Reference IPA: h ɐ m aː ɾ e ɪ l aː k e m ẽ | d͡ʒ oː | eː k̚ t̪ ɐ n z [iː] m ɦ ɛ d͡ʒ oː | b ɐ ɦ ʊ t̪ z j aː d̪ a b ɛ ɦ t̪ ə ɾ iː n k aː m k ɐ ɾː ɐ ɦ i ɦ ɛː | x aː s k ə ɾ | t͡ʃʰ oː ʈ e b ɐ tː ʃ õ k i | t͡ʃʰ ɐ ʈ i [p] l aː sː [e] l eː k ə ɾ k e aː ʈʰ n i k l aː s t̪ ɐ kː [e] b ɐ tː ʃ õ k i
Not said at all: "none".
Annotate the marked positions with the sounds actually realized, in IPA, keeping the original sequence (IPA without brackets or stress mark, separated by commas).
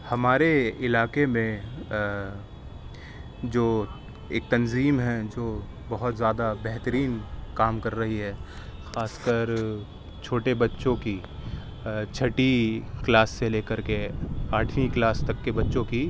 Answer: iː, k, e, e